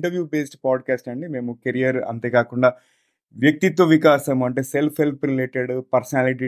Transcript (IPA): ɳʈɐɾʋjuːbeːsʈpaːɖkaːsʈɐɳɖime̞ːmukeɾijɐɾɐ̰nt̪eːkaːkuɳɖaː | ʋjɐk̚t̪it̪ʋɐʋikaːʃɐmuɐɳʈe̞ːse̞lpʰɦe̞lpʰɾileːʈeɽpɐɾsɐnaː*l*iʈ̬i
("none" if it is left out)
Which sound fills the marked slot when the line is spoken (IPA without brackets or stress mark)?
l